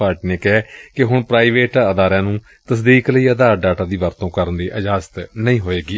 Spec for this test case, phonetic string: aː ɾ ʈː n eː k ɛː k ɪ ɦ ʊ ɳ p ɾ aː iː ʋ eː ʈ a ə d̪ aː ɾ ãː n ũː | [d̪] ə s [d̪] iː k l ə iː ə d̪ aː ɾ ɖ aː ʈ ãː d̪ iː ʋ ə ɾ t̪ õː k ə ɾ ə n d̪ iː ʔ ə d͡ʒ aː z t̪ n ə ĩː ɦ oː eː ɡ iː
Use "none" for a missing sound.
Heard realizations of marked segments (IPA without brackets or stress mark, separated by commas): t̪, d̪